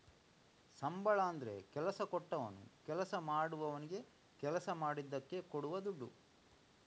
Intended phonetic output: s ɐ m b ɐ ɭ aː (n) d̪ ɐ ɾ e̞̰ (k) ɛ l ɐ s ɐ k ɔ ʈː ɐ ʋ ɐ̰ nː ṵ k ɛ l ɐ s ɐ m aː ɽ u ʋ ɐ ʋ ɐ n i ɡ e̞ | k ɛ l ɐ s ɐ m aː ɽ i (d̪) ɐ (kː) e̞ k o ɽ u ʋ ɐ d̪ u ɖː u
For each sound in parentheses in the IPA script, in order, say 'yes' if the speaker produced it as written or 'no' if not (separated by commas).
yes, yes, no, yes